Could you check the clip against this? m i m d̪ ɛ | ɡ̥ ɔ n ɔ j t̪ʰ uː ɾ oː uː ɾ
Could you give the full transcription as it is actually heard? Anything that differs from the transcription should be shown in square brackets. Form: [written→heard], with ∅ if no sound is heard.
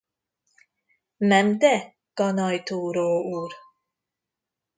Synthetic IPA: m [i→ɛ] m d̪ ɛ | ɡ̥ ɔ n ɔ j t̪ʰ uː ɾ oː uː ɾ